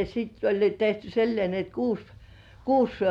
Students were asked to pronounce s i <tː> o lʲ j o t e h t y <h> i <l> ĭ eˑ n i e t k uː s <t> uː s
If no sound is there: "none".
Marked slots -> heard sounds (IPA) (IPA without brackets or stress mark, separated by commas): tː, s, lː, k